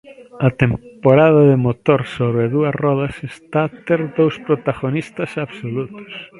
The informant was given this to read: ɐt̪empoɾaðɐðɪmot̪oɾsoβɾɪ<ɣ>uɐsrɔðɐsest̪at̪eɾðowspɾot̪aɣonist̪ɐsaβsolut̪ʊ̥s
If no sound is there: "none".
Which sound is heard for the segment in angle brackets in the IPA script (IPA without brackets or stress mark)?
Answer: ð